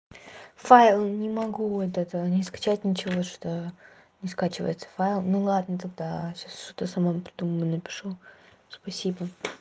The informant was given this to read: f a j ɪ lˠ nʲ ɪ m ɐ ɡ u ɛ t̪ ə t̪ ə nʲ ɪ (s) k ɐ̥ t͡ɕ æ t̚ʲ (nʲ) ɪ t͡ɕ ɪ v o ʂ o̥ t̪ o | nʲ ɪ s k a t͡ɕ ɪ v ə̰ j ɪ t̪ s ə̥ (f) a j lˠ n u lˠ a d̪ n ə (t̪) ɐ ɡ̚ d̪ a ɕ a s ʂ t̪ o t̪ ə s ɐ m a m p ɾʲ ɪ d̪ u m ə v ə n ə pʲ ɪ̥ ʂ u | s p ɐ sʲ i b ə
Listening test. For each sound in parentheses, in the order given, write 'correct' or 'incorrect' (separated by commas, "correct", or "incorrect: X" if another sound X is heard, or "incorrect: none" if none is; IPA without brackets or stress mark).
correct, correct, correct, correct